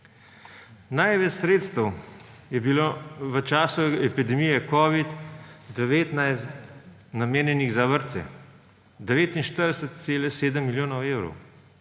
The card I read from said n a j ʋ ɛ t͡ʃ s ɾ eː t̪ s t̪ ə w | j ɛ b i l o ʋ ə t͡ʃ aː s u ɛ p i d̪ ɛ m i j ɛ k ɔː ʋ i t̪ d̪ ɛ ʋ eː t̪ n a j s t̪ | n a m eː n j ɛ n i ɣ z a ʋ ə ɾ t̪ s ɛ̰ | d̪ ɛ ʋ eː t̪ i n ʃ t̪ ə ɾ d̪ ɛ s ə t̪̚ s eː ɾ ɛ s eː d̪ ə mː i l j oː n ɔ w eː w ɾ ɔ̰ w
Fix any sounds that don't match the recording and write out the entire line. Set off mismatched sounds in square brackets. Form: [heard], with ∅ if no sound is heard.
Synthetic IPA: n a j ʋ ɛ t͡ʃ s ɾ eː t̪ s t̪ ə w | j ɛ b i l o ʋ ə t͡ʃ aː s u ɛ p i d̪ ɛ m i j ɛ k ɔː ʋ i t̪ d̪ ɛ ʋ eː t̪ n a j s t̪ | n a m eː n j ɛ n i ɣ z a ʋ ə ɾ t̪ s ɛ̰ | d̪ ɛ ʋ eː t̪ i n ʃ t̪ ə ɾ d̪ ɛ s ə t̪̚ s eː [l] ɛ s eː d̪ ə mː i l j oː n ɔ w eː w ɾ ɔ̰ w